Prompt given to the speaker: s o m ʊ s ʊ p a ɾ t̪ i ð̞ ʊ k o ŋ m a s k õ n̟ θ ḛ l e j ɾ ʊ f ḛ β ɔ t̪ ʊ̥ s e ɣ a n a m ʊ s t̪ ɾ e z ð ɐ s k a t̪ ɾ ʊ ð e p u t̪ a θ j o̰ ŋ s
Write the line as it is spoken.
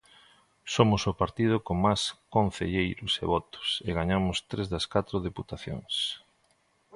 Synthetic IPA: s o m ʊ s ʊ p a ɾ t̪ i ð̞ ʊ k o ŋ m a s k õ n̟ θ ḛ ʎ e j ɾ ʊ s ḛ β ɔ t̪ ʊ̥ s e ɣ a ɲ a m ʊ s t̪ ɾ e z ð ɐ s k a t̪ ɾ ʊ ð e p u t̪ a θ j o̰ ŋ s